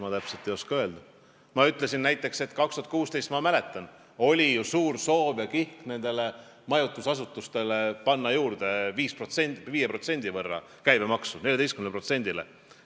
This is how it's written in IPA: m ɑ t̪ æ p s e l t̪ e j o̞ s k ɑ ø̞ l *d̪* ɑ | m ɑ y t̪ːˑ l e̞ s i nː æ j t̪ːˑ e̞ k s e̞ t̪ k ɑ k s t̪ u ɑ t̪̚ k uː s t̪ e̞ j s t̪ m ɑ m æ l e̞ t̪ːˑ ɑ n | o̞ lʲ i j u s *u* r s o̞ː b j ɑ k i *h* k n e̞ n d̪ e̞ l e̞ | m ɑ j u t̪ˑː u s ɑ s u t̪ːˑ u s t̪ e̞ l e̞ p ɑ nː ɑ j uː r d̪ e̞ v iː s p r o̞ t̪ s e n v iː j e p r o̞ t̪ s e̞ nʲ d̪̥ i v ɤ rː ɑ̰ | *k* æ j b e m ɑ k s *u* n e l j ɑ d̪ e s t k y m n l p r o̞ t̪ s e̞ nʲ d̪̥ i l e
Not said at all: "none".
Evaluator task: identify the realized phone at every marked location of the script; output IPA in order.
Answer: d̪, uː, h, k, u

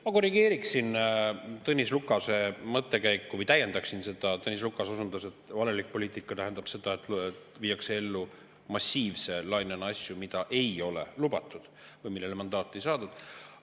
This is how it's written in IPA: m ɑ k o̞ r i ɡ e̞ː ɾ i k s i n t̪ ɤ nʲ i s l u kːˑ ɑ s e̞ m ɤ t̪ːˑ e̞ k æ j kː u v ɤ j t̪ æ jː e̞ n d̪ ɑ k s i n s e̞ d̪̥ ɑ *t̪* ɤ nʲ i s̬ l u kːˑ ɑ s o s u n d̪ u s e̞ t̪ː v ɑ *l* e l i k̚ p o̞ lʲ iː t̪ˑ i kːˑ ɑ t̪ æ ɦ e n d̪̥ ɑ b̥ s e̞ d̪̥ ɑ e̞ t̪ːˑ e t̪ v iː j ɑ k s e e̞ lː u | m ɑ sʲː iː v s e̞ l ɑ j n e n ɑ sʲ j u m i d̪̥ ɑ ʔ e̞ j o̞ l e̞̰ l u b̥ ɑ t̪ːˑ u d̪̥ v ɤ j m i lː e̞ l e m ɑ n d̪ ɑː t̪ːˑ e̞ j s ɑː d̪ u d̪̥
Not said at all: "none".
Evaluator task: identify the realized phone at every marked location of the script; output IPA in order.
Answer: t̪, l

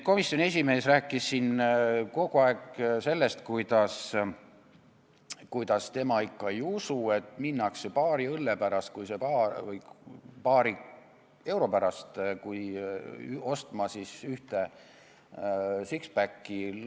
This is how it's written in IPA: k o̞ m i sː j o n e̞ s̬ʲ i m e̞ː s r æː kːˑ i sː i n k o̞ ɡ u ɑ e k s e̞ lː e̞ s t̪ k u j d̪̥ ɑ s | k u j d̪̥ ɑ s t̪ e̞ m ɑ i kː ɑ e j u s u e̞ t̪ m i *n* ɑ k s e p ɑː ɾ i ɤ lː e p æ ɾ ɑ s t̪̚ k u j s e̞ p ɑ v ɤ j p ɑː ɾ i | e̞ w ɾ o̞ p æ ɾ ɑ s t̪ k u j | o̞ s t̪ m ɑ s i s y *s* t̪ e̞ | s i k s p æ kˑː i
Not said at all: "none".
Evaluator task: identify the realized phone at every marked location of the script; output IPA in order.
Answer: nː, h

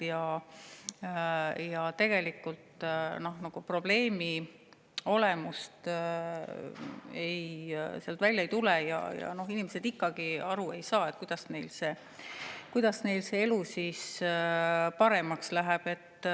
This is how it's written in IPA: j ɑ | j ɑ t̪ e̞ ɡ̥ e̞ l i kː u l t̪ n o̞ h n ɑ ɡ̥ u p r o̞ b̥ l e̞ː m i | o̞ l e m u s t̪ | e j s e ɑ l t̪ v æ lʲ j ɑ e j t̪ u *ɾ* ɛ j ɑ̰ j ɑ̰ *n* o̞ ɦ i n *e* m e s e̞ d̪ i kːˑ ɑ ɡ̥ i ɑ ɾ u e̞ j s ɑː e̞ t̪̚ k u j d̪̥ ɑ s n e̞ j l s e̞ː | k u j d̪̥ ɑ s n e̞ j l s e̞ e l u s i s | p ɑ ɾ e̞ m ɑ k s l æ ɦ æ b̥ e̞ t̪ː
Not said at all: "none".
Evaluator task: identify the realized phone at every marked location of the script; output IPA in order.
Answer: l, n, i

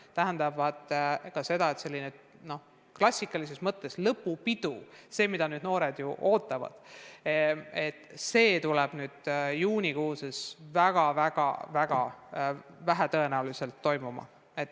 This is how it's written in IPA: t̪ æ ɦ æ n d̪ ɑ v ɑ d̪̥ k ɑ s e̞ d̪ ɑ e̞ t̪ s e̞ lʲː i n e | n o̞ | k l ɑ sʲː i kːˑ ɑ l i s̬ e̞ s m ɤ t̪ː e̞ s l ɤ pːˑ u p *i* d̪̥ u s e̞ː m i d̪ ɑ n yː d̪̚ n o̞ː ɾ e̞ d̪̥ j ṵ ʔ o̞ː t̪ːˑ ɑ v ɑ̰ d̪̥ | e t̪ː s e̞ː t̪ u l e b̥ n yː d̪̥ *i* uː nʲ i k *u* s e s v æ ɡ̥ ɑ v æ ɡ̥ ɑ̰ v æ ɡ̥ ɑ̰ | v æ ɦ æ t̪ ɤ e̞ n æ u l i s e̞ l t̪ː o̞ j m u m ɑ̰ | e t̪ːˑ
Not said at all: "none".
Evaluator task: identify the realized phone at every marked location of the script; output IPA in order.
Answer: i, j, uː

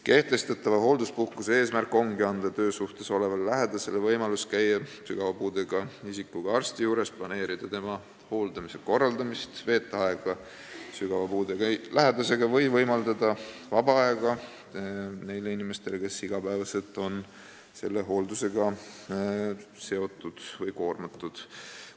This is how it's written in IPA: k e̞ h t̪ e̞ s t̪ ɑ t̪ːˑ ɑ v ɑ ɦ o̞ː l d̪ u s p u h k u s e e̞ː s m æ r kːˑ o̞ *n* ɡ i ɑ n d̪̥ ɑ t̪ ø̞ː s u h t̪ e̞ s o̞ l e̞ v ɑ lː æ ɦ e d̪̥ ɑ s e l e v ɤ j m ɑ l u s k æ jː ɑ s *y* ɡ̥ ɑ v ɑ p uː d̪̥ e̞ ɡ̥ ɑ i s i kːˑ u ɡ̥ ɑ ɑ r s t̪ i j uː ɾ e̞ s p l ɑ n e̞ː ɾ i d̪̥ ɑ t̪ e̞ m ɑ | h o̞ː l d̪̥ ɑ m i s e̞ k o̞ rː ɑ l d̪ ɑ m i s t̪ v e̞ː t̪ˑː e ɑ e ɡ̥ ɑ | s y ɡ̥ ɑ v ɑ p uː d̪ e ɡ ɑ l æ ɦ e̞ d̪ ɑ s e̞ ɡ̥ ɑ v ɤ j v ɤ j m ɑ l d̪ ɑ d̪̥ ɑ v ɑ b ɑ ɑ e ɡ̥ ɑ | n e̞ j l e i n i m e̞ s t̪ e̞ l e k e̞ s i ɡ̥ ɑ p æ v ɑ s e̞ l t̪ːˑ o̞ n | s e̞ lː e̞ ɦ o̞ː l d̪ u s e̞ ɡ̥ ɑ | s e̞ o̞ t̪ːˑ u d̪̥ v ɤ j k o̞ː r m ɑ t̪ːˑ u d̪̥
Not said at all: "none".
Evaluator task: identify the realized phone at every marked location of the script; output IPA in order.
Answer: ŋ, y

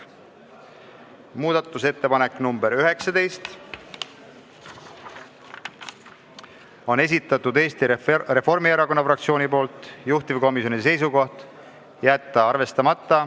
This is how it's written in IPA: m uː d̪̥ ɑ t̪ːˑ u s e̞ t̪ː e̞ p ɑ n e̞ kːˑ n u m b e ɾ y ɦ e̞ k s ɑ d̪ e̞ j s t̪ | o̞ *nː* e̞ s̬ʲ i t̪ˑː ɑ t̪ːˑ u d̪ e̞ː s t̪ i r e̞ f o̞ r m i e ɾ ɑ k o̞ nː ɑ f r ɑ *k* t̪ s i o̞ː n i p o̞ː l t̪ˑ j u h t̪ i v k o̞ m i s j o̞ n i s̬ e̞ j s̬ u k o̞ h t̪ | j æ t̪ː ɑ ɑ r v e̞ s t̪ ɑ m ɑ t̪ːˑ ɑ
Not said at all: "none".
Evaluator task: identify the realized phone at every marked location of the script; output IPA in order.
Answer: n, k

